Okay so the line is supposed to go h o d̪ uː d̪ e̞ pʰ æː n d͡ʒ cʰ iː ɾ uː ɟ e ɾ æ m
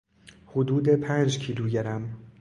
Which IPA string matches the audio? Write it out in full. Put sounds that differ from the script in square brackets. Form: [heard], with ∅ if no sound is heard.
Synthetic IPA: h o d̪ uː d̪ e̞ pʰ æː n d͡ʒ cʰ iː [l] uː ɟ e ɾ æ m